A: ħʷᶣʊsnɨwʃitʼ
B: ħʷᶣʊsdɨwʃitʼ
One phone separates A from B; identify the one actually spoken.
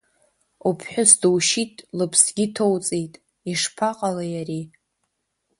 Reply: B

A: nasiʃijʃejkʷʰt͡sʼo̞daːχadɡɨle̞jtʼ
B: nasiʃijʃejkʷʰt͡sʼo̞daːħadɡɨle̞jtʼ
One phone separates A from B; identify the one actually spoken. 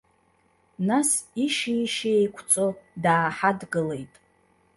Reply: B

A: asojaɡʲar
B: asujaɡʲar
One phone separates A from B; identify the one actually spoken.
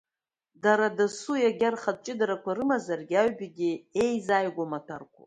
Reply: B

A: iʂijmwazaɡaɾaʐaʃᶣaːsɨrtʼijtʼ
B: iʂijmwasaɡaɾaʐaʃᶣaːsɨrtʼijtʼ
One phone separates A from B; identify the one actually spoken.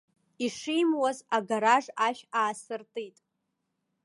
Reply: A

